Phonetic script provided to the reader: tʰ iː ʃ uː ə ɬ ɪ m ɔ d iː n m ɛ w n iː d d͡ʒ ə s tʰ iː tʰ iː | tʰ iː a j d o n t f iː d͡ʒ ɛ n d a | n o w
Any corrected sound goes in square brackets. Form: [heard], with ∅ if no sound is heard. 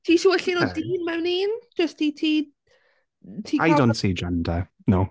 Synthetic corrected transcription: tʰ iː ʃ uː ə ɬ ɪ [n] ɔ d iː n m ɛ w n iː [n] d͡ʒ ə s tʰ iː tʰ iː | tʰ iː a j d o n t [s] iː d͡ʒ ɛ n d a | n o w

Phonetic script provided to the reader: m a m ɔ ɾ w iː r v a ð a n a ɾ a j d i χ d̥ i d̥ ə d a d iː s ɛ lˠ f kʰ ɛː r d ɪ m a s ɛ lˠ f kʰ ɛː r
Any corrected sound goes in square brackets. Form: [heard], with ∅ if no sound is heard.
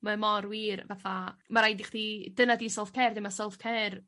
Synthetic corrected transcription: m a m ɔ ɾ w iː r v a [θ] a [m] a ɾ a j d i χ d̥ i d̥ ə [n] a d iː s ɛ lˠ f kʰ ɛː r d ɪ m a s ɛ lˠ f kʰ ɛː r

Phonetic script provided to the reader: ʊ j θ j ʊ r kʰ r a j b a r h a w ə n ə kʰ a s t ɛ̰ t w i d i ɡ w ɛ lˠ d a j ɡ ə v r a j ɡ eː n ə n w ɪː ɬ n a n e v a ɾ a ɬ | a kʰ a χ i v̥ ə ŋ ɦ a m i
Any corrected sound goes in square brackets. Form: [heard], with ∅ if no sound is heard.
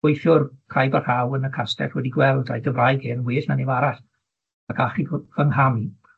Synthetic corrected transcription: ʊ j θ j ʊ r kʰ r a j b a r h a w ə n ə kʰ a s t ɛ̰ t w [ɛ] d i ɡ w ɛ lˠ d a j ɡ ə v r a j ɡ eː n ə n w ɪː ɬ n a n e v a ɾ a ɬ | a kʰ a χ i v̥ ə ŋ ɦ a m i

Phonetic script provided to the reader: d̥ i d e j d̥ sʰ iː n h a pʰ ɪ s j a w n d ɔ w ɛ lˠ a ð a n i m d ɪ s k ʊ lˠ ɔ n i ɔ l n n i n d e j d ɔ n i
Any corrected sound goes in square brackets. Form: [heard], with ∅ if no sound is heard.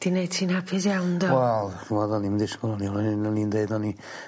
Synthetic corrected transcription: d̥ i [n] e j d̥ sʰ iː n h a pʰ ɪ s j a w n d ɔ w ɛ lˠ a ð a n i m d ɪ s k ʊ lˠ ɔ n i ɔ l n n i n d e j d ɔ n i

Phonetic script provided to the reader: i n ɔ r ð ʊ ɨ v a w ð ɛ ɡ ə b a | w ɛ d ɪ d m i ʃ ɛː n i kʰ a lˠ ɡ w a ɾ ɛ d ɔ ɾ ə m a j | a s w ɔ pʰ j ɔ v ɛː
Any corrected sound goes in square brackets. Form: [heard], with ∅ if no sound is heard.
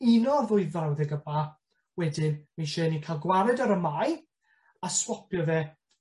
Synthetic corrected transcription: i n ɔ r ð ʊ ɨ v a w ð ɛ ɡ ə b a | w ɛ d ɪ [n] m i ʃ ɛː n i kʰ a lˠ ɡ w a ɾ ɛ d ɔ ɾ ə m a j | a s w ɔ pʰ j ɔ v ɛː

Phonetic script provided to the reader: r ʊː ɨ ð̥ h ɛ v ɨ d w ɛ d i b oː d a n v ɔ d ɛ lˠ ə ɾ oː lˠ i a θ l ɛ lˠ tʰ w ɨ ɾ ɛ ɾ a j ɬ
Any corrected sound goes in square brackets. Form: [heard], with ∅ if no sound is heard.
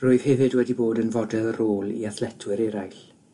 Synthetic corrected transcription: r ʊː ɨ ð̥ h ɛ v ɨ d w ɛ d i b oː d [ə] n v ɔ d ɛ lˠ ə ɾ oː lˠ i a θ l ɛ [∅] tʰ w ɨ ɾ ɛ ɾ a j ɬ

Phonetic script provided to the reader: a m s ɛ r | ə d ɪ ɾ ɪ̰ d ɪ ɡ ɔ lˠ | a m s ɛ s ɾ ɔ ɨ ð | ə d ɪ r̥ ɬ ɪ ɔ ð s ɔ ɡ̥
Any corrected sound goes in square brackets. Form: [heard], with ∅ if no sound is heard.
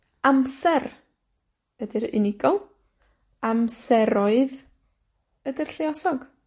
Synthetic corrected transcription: a m s ɛ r | ə d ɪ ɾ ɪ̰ [n] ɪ ɡ ɔ lˠ | a m s ɛ [∅] ɾ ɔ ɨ ð | ə d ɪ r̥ ɬ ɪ ɔ [∅] s ɔ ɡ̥

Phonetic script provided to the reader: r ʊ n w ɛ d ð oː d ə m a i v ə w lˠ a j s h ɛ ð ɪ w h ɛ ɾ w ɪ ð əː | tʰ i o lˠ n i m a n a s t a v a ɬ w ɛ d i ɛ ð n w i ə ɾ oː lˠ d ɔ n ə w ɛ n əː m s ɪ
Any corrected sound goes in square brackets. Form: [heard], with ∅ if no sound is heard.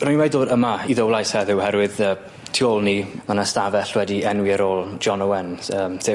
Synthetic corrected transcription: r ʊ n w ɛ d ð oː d ə m a i [ð] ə w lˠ a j s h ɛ ð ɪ w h ɛ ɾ w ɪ ð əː | tʰ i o lˠ n i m a n a s t a v [ɛ] ɬ w ɛ d i ɛ [∅] n w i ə ɾ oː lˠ [d͡ʒ] ɔ n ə w ɛ n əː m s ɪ

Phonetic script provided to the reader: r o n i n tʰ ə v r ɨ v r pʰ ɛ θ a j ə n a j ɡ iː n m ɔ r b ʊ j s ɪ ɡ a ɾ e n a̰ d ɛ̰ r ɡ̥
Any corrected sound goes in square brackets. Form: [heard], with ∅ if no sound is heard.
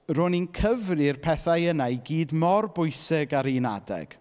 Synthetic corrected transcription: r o n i n [kʰ] ə v r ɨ [∅] r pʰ ɛ θ a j ə n a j ɡ iː [d] m ɔ r b ʊ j s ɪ ɡ a ɾ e n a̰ d ɛ̰ [∅] ɡ̥

